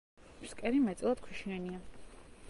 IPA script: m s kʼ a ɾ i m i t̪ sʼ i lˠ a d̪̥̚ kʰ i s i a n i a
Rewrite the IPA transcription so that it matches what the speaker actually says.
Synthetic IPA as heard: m s kʼ ɛ ɾ i m ɛ t̪ sʼ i lˠ a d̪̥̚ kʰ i ʃ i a n i a